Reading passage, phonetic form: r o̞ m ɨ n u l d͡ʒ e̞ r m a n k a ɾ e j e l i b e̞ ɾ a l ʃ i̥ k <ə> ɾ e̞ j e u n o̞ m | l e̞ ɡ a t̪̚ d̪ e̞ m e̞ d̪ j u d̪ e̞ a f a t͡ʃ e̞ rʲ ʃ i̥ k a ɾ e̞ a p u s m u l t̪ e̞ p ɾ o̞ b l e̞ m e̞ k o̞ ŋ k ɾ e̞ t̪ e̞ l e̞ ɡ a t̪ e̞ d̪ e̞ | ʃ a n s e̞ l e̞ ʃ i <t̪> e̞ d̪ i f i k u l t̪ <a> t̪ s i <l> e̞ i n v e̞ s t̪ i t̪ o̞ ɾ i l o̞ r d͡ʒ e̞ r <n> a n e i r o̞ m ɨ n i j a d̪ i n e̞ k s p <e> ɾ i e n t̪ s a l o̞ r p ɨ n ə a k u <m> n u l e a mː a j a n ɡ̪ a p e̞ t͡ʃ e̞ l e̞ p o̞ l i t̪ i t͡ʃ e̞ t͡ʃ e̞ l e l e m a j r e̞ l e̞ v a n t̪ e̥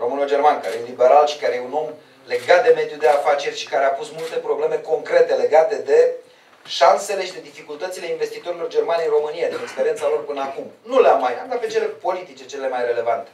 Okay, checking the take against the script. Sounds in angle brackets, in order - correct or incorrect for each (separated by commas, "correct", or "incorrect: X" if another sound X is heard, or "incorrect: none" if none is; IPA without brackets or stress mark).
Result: incorrect: a, incorrect: d̪, incorrect: ə, correct, incorrect: m, correct, correct